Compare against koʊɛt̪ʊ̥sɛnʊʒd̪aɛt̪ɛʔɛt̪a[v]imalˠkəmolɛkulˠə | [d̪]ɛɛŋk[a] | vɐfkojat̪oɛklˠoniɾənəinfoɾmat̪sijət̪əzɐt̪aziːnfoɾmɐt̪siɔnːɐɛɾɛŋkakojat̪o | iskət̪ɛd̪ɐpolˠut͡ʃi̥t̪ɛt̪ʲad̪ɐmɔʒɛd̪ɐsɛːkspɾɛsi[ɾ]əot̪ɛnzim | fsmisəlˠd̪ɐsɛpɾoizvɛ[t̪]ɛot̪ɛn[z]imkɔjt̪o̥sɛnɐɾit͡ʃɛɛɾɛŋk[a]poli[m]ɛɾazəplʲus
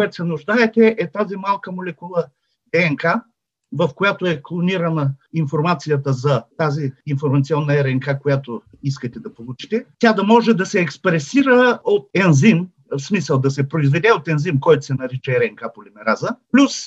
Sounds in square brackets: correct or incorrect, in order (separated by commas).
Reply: incorrect, correct, correct, correct, incorrect, correct, correct, correct